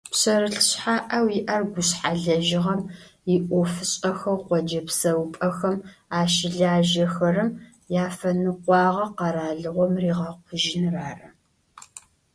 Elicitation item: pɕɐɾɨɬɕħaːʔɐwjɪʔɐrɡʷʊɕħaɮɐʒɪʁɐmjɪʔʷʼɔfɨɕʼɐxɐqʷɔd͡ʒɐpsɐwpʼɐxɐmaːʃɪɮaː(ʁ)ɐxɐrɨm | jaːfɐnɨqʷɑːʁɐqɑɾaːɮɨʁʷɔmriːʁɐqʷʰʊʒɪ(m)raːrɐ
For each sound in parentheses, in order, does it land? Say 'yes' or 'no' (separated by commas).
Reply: no, no